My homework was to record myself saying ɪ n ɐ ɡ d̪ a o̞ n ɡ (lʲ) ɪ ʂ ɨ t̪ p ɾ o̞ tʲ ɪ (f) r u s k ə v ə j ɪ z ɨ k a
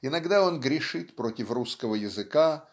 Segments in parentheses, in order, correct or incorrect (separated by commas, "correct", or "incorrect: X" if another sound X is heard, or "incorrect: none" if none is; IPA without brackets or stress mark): incorrect: ɾʲ, correct